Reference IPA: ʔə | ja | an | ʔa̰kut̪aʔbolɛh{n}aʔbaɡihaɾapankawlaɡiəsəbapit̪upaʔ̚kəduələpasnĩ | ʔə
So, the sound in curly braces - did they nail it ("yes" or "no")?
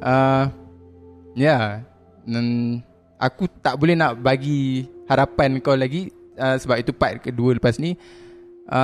yes